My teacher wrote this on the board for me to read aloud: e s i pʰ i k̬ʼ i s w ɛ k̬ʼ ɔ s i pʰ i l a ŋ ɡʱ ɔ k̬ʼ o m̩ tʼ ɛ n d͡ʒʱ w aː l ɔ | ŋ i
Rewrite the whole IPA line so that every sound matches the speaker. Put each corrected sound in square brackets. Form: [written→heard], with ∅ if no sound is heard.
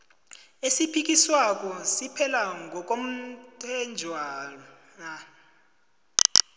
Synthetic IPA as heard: e s i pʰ i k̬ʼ i s w [ɛ→a] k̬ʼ ɔ s i pʰ [i→ɛ] l a ŋ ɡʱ ɔ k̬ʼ o m̩ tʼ ɛ n d͡ʒʱ w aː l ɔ | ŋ [i→a]